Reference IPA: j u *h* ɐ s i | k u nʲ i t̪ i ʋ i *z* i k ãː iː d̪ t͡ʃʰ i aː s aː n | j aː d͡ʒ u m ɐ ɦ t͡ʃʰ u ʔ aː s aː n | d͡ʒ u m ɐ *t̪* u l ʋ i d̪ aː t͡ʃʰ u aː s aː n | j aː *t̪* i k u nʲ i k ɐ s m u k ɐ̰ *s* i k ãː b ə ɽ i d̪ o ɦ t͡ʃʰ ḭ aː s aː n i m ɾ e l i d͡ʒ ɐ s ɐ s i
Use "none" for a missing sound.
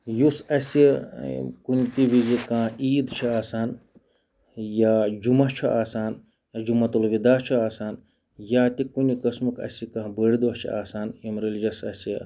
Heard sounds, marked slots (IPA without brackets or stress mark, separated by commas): s, z, t̪, t̪, s